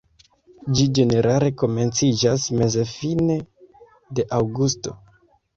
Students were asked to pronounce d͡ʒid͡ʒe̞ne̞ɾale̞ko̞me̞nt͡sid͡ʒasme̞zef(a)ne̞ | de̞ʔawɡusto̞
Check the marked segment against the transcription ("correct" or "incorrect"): incorrect